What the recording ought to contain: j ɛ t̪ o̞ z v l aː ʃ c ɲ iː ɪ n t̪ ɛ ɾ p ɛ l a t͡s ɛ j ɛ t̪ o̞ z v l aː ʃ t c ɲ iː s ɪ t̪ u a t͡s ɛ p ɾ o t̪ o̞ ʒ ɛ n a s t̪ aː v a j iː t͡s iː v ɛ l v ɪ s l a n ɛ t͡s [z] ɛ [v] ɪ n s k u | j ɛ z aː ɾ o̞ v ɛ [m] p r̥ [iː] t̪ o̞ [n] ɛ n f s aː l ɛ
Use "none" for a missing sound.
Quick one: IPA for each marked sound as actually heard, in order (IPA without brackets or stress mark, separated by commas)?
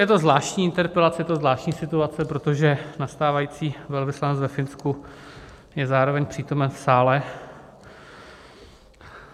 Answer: v, f, ɲ, iː, m